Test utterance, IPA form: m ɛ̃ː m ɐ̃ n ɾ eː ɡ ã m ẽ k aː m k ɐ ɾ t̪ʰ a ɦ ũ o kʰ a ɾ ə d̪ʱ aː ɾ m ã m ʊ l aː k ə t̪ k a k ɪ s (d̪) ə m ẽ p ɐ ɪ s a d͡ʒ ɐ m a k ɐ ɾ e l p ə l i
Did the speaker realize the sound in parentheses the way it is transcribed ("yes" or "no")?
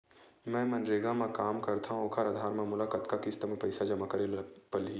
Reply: no